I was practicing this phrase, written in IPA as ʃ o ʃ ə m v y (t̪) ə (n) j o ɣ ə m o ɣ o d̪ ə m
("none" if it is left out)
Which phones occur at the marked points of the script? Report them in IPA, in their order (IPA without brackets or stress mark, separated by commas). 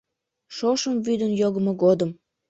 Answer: d̪, n